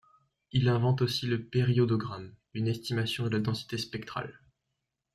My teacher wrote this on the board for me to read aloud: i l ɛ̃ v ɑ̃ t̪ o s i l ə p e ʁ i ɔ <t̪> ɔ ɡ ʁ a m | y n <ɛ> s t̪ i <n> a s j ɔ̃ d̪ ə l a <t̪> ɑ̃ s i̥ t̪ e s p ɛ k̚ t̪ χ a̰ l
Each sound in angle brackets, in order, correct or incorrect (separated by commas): incorrect, correct, incorrect, incorrect